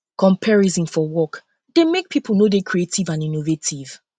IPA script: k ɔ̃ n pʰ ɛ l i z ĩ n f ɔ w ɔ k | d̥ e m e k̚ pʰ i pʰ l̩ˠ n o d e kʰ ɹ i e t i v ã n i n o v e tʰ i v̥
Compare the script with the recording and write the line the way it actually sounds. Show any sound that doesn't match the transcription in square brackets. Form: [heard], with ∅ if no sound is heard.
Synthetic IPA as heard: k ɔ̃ [m] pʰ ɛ [ɹ] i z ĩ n f ɔ w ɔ k | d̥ e m e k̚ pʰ i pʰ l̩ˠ n o d e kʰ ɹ i e t i v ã n i n o v e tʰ i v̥